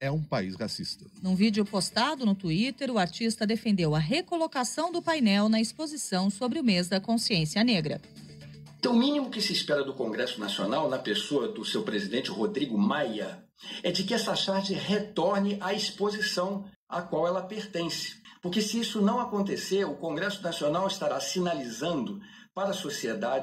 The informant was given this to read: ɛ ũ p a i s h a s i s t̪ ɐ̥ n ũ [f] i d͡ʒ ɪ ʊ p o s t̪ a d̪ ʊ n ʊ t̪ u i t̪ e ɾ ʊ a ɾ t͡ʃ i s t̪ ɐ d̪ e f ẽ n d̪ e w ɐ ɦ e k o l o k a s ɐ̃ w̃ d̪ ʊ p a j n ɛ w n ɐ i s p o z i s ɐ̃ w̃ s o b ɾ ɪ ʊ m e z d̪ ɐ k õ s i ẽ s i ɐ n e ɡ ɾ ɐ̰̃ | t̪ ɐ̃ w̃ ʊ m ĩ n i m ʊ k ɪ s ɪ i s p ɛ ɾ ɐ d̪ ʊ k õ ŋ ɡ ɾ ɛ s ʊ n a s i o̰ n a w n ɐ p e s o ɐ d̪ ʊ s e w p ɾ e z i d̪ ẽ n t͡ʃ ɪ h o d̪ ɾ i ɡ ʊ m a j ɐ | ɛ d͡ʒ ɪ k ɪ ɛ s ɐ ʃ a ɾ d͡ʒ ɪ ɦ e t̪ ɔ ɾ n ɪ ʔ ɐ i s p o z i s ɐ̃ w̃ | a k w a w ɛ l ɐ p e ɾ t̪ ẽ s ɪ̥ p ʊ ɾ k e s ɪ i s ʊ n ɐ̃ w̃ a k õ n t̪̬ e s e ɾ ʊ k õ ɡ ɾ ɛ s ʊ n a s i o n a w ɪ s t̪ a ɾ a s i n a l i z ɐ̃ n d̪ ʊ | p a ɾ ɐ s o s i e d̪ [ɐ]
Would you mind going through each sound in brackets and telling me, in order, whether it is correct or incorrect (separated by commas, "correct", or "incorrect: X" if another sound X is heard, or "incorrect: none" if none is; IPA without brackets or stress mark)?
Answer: incorrect: v, incorrect: a